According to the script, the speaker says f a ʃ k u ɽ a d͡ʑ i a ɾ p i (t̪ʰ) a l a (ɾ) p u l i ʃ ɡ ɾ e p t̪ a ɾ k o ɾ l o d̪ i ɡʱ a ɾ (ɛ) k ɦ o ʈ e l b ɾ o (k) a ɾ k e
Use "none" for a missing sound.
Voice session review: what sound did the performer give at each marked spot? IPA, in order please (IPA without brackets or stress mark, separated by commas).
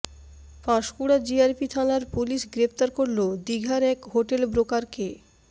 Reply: t̪ʰ, ɾ, ɛ, k